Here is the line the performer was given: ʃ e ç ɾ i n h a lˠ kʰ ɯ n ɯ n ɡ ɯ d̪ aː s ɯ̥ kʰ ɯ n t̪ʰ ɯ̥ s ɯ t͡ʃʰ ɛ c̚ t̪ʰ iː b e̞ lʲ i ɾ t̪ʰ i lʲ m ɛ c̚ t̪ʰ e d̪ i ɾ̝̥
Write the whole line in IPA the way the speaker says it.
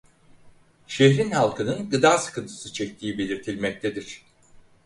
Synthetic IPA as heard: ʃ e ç ɾ i n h a lˠ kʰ ɯ n ɯ n ɡ ɯ d̪ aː s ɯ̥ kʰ ɯ n t̪ʰ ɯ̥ s ɯ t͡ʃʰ ɛ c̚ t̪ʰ iː b e̞ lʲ i ɾ t̪ʰ i lʲ m ɛ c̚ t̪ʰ e d̪ i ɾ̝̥